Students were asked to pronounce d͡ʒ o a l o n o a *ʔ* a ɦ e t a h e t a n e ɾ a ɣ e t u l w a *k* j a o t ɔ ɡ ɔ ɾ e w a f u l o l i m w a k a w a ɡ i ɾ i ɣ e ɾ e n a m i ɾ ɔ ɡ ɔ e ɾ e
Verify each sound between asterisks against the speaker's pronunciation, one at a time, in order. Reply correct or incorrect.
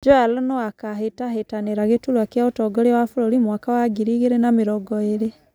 incorrect: k, correct

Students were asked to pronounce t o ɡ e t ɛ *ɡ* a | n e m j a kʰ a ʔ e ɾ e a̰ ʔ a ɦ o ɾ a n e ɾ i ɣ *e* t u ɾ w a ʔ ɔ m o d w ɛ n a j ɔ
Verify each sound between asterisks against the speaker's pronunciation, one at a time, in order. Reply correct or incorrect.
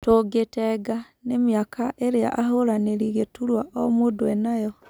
correct, correct

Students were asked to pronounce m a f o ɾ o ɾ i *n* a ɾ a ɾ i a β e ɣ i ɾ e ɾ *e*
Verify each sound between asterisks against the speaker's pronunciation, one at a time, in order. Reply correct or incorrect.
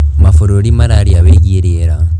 incorrect: m, incorrect: a

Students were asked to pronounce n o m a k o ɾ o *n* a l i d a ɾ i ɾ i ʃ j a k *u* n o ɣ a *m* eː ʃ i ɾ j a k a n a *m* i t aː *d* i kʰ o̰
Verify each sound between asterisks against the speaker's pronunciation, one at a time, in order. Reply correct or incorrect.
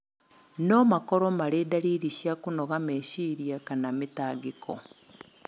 incorrect: m, correct, correct, correct, incorrect: ɡ

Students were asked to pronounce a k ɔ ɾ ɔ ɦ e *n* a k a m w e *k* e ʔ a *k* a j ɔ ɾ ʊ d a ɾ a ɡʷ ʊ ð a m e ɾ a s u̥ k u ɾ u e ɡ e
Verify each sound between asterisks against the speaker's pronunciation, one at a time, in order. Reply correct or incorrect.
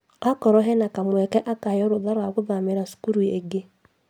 correct, correct, correct

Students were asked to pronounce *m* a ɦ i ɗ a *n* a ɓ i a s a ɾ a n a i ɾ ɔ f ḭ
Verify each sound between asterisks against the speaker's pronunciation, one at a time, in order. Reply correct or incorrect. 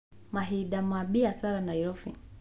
correct, incorrect: m

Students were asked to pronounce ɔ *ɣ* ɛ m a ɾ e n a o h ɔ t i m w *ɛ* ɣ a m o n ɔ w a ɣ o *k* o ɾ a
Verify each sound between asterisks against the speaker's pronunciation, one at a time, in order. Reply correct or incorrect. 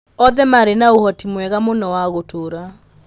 incorrect: ð, correct, incorrect: t

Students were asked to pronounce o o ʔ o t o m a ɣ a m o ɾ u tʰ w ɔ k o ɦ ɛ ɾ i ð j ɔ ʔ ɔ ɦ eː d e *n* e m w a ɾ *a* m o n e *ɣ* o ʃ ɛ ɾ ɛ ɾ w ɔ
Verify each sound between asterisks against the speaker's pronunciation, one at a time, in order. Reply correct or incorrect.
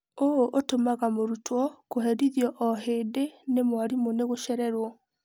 correct, incorrect: i, correct

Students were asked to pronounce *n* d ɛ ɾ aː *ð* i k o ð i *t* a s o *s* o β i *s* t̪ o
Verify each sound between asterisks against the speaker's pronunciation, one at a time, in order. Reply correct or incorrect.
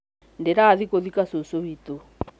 correct, correct, incorrect: k, correct, incorrect: none

